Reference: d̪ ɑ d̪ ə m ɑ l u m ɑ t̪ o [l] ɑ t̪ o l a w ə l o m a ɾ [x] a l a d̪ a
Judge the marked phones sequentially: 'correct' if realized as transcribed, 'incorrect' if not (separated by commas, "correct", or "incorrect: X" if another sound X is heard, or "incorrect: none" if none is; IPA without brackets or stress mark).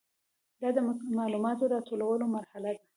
incorrect: ɾ, incorrect: h